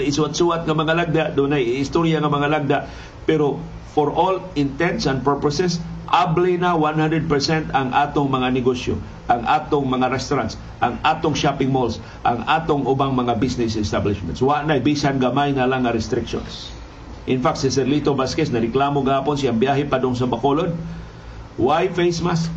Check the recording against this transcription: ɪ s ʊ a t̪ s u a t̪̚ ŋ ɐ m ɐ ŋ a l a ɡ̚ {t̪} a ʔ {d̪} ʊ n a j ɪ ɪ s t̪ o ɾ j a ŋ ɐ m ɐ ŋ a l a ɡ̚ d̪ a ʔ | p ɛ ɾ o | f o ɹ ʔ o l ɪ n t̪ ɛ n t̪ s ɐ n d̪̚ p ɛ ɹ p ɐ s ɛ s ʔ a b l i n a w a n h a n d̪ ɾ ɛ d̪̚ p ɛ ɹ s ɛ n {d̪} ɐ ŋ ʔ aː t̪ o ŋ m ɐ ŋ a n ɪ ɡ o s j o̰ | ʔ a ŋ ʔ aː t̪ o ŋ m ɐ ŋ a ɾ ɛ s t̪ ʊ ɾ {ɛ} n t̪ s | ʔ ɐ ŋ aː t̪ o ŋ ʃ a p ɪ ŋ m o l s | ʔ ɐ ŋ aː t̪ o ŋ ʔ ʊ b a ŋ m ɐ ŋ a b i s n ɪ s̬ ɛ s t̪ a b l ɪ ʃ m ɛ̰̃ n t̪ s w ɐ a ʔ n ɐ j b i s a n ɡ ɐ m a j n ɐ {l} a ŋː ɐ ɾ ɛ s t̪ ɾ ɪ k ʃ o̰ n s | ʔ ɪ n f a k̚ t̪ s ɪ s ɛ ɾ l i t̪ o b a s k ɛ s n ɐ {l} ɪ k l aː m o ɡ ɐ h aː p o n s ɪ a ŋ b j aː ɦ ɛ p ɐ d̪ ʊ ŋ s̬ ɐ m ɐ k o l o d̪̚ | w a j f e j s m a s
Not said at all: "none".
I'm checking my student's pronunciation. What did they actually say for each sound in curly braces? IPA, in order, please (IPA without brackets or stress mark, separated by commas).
d̪, d̪, t̪, a, l, ɾ